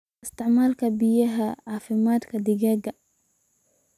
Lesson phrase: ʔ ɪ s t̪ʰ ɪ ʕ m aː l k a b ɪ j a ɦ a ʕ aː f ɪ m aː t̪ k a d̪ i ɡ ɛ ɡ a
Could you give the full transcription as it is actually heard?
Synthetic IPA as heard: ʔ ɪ s t̪ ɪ ʕ m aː l k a b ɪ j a ɦ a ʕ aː f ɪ m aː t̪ k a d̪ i ɡ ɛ ɡ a